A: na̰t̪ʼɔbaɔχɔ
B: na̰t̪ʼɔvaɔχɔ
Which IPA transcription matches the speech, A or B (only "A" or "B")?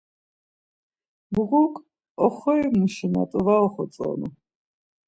B